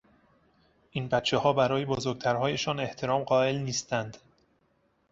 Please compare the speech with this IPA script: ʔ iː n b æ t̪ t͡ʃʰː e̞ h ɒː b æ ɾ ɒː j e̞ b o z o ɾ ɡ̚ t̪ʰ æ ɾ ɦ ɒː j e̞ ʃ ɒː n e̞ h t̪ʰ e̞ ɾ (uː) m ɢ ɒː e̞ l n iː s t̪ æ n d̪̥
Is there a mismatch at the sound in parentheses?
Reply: yes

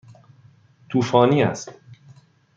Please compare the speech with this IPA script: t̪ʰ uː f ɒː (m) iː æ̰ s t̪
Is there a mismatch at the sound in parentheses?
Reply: yes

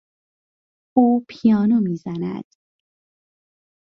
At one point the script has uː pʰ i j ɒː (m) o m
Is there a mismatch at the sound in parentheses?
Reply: yes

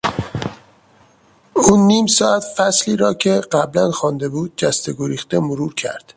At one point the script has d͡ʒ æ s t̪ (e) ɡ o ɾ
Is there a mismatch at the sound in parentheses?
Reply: no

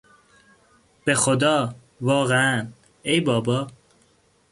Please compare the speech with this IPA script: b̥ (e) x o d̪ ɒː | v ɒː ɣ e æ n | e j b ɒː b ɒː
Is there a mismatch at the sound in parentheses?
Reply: no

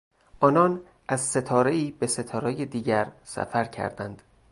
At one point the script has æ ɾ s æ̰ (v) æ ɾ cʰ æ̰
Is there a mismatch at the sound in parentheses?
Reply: yes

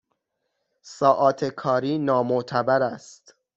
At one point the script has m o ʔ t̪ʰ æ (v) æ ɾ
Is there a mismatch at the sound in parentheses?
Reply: yes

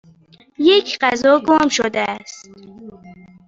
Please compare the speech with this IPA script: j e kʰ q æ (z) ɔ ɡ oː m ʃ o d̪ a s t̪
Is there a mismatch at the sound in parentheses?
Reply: no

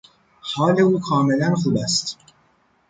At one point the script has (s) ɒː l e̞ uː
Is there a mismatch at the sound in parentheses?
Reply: yes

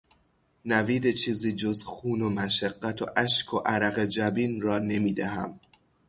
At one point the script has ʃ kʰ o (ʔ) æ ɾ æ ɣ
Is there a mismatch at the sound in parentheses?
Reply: no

